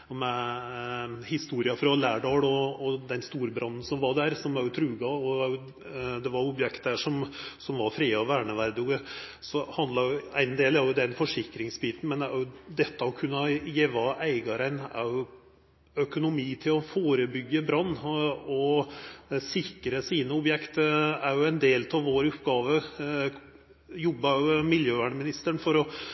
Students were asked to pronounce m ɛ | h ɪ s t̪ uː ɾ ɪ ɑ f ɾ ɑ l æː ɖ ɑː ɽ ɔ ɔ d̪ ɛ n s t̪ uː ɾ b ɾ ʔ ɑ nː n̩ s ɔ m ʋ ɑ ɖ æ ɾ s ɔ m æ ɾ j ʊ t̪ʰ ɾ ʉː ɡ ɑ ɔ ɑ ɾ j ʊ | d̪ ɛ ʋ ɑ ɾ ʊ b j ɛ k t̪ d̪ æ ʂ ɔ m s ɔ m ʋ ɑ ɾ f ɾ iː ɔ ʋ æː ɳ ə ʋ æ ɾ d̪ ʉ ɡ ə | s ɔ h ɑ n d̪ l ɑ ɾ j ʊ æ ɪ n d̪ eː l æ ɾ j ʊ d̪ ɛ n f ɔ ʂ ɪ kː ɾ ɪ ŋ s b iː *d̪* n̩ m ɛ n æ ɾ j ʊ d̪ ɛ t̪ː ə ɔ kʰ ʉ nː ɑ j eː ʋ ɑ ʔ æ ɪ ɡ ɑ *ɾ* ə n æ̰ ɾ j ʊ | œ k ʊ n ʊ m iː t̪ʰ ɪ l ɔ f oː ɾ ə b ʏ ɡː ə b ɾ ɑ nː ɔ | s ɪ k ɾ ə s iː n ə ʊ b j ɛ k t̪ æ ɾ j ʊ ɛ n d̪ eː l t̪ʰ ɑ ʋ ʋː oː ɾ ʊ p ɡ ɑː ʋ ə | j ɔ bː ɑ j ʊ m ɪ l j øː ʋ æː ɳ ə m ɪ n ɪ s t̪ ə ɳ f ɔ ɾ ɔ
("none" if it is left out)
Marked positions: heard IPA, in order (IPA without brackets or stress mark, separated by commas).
t̪, ɾ